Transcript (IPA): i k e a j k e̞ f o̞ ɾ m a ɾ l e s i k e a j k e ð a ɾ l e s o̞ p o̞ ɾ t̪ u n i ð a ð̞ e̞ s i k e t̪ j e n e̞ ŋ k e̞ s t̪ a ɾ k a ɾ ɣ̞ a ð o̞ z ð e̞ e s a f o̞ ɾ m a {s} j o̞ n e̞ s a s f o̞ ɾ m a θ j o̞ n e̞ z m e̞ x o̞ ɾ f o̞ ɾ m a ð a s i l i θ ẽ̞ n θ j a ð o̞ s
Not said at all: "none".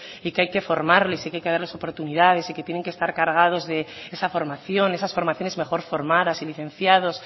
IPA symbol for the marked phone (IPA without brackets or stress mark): θ